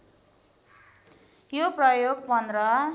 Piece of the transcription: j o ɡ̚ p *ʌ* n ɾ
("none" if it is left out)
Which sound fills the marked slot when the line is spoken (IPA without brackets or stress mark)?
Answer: ʌ